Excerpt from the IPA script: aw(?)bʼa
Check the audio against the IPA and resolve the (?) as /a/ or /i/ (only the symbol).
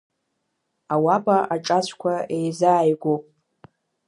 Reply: a